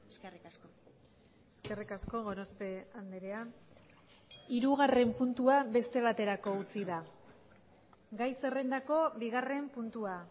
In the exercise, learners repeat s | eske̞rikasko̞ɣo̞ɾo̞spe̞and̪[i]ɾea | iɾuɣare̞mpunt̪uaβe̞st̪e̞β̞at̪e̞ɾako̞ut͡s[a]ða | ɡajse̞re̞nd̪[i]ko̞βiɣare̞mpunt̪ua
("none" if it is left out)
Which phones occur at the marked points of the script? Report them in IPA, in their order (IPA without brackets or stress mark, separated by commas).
e, i, a